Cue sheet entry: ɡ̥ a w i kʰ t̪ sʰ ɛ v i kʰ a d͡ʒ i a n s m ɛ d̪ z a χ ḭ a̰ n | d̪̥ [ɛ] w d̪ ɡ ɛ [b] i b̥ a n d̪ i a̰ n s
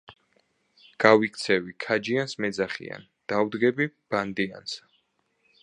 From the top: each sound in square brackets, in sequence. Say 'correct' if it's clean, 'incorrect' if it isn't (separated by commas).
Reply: incorrect, correct